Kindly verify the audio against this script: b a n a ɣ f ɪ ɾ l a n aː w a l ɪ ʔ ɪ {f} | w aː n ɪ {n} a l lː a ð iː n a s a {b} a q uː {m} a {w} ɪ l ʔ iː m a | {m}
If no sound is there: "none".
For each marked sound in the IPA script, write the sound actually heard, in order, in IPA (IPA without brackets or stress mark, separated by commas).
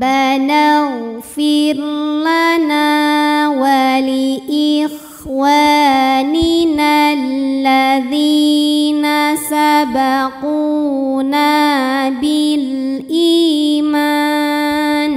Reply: x, n, b, n, b, n